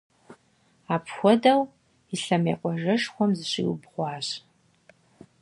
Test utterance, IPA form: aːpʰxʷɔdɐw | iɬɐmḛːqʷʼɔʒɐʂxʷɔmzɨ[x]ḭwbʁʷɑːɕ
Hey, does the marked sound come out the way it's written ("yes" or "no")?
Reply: no